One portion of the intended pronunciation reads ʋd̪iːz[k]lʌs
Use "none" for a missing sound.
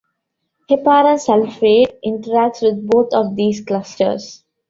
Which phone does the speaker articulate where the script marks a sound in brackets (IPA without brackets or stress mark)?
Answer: k